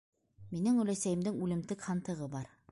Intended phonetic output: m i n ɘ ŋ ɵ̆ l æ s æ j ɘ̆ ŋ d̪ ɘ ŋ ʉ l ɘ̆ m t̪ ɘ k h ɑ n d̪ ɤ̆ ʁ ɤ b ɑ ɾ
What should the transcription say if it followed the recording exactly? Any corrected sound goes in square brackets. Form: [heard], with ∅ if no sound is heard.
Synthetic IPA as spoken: m i n ɘ ŋ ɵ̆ l æ s æ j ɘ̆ [m] d̪ ɘ ŋ ʉ l ɘ̆ m t̪ ɘ k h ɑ n [t̪] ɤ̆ ʁ ɤ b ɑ ɾ